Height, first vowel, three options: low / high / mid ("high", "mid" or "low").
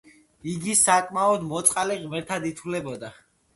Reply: high